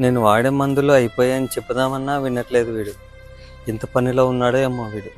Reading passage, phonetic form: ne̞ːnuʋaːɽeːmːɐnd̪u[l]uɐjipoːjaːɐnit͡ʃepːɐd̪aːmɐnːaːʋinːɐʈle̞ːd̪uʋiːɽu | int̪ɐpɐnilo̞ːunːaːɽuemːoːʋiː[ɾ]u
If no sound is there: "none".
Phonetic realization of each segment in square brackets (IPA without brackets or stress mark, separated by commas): l, ɽ